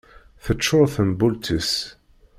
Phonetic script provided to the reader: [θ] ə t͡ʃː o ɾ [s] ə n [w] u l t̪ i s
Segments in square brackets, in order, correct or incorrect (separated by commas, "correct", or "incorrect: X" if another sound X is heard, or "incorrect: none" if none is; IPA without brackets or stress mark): correct, incorrect: θ, incorrect: b